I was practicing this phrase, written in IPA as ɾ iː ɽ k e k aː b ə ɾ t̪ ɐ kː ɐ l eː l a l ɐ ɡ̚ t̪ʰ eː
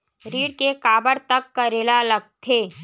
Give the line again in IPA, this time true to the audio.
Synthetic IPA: ɾ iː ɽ k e k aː b ə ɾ t̪ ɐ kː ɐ ɾ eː l a l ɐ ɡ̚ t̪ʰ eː